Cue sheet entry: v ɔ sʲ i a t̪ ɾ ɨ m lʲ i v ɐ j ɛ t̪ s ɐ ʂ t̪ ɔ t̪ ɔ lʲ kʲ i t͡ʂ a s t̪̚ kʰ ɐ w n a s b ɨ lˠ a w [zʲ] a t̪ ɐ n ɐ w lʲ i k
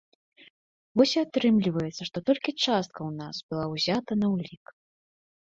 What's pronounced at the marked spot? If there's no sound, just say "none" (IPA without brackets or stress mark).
zʲ